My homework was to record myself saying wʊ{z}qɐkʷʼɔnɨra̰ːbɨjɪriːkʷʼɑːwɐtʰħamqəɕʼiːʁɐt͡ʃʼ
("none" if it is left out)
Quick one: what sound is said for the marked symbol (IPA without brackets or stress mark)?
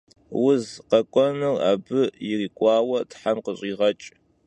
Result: z